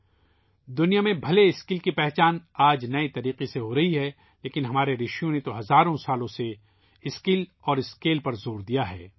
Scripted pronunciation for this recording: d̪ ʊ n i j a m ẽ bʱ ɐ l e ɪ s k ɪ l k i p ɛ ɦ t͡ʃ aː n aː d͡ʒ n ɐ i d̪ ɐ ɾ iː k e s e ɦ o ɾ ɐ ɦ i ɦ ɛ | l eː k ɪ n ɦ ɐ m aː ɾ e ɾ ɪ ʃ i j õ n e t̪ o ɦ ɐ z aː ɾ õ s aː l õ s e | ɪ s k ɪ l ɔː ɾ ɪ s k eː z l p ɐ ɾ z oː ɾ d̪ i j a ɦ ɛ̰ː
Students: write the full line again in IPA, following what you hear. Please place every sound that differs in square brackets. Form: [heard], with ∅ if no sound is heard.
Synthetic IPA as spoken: d̪ ʊ n i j a m ẽ bʱ ɐ l e ɪ s k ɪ l k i p ɛ ɦ t͡ʃ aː n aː d͡ʒ n ɐ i [t̪] ɐ ɾ iː [q] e s e ɦ o ɾ ɐ ɦ i ɦ ɛ | l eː k ɪ n ɦ ɐ m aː ɾ e ɾ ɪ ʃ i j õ n e t̪ o ɦ ɐ z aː ɾ õ s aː l õ s e | ɪ s k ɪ l ɔː ɾ ɪ s k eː [∅] l p ɐ ɾ z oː ɾ d̪ i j a ɦ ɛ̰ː